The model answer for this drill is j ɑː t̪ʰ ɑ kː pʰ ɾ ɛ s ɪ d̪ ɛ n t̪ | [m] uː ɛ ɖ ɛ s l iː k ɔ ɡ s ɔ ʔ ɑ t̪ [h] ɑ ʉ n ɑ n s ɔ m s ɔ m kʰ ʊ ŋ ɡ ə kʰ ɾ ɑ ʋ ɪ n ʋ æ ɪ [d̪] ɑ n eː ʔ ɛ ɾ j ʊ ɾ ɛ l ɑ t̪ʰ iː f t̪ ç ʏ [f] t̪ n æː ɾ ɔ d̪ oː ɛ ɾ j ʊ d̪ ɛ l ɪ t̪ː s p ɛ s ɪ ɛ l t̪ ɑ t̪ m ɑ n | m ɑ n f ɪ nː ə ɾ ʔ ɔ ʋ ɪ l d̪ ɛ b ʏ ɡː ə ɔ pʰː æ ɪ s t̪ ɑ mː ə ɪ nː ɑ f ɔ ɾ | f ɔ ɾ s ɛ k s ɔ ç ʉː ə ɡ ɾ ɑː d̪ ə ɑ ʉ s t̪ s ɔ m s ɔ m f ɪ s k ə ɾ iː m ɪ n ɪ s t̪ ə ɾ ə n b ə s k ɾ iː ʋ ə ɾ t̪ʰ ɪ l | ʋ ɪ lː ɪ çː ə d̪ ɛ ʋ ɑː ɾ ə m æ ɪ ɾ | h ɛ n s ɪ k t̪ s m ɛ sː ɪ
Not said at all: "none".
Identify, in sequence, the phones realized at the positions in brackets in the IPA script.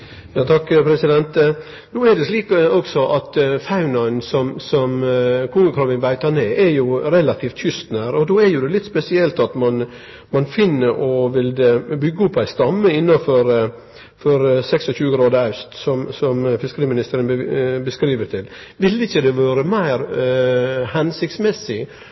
n, f, t̪, s

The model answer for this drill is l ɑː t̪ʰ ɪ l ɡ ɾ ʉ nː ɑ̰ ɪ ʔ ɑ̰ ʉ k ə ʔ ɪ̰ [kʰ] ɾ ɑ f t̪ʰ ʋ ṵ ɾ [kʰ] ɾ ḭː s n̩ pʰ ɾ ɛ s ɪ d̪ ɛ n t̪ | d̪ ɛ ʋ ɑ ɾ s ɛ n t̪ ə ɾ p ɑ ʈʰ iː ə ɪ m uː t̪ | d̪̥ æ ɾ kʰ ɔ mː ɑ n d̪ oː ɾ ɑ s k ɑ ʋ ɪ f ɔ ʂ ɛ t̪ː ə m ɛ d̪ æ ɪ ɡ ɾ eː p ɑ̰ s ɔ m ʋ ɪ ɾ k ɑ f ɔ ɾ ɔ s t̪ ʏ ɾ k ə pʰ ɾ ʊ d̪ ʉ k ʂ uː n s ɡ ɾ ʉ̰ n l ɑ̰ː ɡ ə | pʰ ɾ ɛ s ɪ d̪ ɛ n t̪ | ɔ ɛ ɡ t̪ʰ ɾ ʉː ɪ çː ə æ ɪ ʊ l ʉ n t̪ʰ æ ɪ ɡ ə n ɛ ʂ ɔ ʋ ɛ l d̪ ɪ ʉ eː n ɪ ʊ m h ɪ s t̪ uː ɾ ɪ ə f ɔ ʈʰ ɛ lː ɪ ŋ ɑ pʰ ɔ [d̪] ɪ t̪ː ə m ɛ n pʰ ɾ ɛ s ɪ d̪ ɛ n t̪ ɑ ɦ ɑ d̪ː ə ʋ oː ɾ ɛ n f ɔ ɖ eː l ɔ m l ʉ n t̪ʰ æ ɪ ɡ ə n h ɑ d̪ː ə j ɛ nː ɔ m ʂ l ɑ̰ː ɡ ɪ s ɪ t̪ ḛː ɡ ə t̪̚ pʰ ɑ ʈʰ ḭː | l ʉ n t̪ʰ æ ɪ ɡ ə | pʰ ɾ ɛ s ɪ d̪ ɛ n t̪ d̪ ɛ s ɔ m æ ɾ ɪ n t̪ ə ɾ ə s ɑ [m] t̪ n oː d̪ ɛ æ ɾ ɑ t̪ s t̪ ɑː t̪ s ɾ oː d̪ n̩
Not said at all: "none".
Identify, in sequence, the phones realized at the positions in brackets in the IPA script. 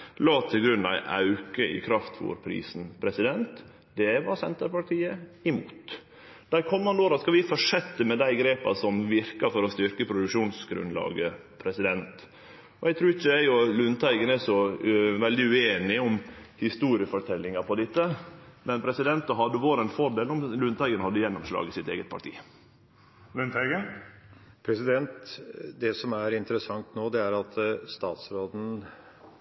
kʰ, pʰ, d̪, ŋ

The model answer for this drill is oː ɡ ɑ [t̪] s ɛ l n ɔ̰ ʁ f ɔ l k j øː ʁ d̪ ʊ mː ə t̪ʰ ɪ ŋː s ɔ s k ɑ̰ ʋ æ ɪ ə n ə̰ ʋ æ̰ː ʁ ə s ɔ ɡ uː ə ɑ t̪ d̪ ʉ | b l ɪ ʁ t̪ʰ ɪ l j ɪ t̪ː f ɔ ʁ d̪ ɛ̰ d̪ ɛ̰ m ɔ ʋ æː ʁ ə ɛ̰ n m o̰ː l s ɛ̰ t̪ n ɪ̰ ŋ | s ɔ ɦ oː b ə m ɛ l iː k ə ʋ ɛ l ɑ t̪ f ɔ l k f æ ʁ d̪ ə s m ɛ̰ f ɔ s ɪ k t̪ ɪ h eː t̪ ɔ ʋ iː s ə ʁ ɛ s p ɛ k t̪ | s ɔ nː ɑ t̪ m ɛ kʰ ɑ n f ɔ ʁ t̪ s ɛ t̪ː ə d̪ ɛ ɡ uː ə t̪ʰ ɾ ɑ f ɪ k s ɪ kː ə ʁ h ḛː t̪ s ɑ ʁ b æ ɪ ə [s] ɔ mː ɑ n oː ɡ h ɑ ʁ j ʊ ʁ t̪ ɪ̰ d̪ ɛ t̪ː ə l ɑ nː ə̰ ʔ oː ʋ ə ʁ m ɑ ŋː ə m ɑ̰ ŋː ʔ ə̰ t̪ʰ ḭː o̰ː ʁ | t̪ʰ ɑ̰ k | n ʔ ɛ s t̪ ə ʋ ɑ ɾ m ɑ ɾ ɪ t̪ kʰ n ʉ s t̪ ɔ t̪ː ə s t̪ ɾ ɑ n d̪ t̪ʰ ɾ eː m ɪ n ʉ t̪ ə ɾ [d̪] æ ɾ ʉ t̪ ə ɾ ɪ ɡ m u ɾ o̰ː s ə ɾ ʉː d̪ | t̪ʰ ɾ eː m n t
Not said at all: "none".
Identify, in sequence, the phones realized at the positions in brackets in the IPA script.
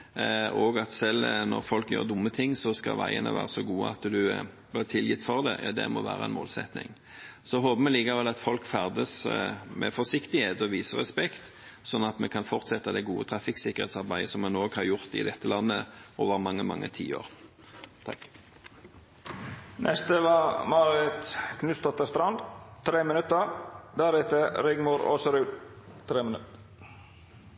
t̪, s, d̪

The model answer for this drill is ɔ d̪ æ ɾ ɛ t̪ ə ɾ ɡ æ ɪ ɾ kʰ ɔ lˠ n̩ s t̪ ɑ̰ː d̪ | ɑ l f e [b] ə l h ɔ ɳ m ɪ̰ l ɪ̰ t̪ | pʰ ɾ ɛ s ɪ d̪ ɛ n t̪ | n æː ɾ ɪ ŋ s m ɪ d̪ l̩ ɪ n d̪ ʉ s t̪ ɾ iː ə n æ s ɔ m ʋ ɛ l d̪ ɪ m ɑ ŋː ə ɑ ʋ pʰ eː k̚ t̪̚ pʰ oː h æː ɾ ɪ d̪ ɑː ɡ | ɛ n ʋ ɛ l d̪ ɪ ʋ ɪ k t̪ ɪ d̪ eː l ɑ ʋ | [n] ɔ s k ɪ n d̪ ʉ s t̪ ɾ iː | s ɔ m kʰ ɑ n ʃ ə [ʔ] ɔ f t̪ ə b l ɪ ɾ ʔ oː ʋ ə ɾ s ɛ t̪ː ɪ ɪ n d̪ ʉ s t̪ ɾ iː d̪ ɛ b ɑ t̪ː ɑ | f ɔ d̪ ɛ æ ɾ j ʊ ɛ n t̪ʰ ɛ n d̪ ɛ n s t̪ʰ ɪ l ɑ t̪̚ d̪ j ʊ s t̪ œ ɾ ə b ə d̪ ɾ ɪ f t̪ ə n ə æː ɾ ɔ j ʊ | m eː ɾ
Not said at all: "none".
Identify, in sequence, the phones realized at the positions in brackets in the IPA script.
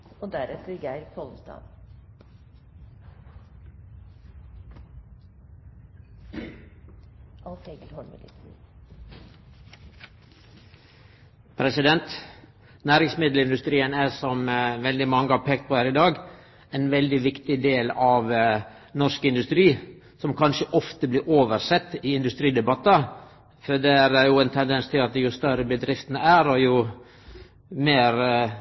ɡ, n, ʔ

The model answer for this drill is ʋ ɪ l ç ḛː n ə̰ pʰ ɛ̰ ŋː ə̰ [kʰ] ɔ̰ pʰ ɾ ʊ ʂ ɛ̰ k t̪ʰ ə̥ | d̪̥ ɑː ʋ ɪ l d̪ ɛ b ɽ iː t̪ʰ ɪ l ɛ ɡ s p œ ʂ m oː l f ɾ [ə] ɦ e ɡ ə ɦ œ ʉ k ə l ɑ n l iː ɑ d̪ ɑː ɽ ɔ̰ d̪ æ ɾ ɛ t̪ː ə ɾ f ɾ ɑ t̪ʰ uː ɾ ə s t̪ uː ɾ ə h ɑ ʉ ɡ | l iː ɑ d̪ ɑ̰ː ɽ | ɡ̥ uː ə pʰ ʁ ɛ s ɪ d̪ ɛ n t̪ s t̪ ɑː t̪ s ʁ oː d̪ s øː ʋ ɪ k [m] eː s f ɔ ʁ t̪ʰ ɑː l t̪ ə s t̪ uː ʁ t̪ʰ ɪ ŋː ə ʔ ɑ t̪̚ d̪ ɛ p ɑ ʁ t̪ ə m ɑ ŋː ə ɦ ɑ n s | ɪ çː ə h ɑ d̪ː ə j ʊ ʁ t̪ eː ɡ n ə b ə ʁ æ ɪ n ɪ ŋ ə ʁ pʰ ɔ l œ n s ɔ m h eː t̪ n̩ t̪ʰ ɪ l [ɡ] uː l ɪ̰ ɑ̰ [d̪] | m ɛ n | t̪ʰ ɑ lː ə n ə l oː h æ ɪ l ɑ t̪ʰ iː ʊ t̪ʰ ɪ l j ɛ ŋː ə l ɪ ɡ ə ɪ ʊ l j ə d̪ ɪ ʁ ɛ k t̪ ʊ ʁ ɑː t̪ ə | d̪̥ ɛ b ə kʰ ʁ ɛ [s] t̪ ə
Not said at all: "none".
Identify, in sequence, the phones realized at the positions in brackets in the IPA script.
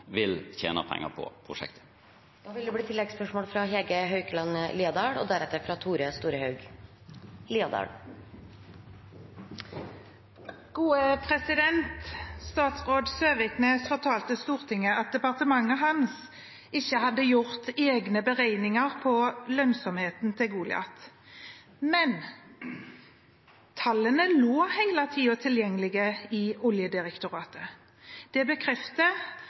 pʰ, ɑ, n, ɡ, t̪, f

